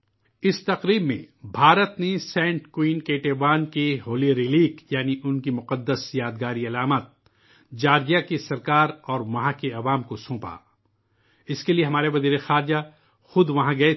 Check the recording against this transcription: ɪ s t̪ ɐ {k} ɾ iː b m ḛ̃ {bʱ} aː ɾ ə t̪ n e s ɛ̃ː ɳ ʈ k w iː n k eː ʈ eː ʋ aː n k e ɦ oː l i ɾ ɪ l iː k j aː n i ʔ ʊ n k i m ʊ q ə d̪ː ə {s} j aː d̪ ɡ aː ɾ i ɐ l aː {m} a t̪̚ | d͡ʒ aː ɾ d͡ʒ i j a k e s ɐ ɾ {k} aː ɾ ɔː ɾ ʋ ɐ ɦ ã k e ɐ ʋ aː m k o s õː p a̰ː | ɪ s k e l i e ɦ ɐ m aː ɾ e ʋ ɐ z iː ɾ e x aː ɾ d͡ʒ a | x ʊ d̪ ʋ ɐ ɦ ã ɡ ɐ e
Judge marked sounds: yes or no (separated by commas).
no, yes, yes, yes, yes